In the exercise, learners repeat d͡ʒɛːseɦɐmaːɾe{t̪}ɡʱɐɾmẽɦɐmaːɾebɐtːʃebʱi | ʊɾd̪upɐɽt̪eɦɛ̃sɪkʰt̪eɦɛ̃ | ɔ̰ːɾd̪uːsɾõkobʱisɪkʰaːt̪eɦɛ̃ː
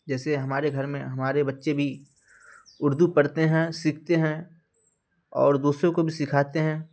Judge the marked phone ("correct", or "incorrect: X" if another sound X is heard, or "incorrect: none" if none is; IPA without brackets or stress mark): incorrect: none